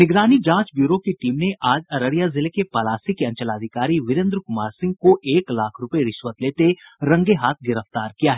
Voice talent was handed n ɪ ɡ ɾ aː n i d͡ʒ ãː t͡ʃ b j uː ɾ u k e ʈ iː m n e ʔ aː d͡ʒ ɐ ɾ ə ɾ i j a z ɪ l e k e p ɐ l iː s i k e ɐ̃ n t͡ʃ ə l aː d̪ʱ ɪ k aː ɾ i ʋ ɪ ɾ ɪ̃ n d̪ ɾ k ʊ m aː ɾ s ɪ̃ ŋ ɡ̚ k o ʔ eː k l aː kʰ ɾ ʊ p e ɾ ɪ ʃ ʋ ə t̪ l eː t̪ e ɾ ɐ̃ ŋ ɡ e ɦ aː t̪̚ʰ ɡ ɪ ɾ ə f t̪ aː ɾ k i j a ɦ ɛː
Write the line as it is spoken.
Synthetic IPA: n ɪ ɡ ɾ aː n i d͡ʒ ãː t͡ʃ b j uː ɾ o k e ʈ iː m n e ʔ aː d͡ʒ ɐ ɾ ə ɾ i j a z ɪ l e k e p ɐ l aː s i k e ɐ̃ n t͡ʃ ə l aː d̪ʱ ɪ k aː ɾ i ʋ ɪ ɾ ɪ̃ n d̪ ɾ k ʊ m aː ɾ s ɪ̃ ŋ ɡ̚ k o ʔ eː k l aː kʰ ɾ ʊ p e ɾ ɪ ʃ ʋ ə t̪ l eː t̪ e ɾ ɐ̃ ŋ ɡ e ɦ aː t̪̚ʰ ɡ ɪ ɾ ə f t̪ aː ɾ k i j a ɦ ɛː

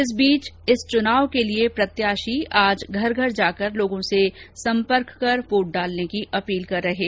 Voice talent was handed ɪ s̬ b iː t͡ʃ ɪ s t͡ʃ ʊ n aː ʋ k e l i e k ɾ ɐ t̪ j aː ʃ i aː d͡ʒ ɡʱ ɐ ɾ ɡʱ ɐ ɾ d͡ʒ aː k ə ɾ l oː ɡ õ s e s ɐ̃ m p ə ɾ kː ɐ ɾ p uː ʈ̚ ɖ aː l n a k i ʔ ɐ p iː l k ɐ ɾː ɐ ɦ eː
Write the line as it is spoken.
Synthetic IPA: ɪ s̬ b iː t͡ʃ ɪ s t͡ʃ ʊ n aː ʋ k e l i e p ɾ ɐ t̪ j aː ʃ i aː d͡ʒ ɡʱ ɐ ɾ ɡʱ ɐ ɾ d͡ʒ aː k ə ɾ l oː ɡ õ s e s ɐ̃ m p ə ɾ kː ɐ ɾ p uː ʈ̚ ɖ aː l n e k i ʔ ɐ p iː l k ɐ ɾː ɐ ɦ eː

